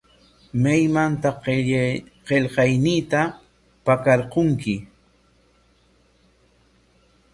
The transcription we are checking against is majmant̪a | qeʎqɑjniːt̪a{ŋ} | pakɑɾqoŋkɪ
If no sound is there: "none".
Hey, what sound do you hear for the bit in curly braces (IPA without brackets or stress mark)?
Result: none